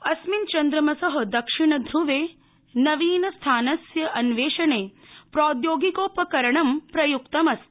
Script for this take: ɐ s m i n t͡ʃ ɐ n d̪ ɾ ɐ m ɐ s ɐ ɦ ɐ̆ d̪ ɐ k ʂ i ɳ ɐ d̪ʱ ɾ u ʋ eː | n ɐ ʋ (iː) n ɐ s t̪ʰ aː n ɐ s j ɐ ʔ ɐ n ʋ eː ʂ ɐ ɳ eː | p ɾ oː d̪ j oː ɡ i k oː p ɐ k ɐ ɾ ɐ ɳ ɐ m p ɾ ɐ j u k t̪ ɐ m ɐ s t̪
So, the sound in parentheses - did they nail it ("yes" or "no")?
yes